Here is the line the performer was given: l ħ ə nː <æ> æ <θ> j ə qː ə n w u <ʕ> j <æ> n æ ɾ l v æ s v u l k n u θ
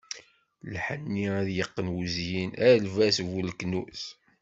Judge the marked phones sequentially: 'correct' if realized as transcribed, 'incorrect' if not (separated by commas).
incorrect, incorrect, incorrect, incorrect